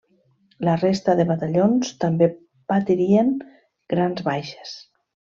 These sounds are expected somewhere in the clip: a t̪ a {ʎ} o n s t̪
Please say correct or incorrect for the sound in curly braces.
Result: correct